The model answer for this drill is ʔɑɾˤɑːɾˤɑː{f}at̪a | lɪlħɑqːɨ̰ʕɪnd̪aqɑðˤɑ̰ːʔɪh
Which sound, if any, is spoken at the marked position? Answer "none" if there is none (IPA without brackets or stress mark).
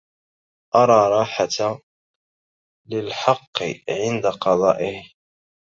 ħ